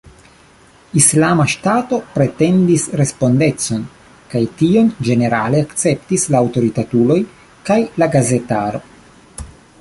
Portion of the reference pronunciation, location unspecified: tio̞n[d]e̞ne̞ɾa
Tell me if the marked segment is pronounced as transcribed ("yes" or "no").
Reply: no